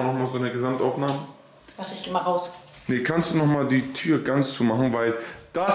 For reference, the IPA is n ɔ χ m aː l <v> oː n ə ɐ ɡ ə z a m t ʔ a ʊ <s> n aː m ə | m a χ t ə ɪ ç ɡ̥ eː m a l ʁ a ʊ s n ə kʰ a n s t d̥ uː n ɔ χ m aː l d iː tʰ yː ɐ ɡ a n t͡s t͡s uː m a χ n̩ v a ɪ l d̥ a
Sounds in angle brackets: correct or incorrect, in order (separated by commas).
incorrect, incorrect